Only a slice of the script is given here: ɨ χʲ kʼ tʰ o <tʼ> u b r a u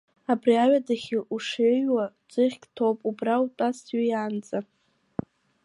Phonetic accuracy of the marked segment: incorrect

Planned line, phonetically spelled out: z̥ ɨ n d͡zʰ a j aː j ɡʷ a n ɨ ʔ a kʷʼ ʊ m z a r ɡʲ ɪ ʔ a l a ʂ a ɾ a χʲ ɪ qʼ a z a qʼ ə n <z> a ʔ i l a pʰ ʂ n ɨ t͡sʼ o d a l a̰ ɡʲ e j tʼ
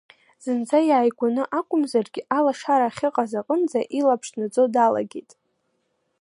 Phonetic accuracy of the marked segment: incorrect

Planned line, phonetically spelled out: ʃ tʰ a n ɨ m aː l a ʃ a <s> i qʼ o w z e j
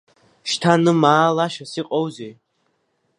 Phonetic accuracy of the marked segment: correct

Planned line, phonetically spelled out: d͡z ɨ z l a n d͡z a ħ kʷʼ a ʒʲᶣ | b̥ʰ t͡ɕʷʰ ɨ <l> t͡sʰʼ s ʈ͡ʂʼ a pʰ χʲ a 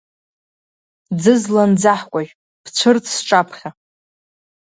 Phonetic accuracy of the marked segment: incorrect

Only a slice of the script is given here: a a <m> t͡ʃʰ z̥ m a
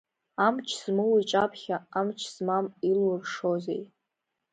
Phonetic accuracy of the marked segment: correct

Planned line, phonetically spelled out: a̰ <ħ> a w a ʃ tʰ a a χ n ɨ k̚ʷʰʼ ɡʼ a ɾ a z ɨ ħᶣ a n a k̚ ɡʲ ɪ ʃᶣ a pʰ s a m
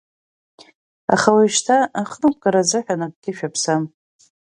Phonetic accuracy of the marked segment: incorrect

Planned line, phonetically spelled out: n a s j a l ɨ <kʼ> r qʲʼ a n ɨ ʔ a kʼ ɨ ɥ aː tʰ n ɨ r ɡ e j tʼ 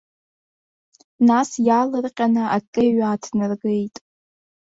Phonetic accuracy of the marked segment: incorrect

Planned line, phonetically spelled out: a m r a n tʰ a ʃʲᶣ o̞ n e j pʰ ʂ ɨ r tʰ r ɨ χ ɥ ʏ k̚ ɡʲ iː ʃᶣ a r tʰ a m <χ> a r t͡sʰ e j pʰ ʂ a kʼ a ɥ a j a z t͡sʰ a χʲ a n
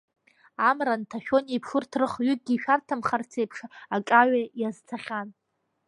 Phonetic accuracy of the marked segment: correct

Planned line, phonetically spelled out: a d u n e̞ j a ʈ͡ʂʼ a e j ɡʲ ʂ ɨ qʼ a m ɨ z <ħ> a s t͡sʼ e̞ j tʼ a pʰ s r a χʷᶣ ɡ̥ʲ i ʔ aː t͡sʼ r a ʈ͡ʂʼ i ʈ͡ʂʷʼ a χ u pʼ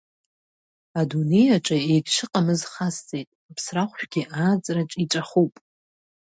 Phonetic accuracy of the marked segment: incorrect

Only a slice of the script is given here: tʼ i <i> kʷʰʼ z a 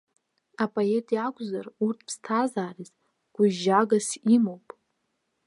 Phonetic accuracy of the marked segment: incorrect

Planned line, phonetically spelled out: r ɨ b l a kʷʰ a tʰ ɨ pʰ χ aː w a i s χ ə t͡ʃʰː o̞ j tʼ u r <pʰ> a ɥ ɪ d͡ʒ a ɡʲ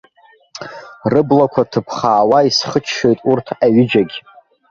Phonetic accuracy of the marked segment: incorrect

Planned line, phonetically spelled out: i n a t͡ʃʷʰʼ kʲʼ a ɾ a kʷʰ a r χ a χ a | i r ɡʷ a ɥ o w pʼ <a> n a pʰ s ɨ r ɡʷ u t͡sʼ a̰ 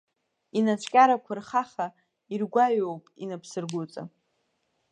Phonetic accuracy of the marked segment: incorrect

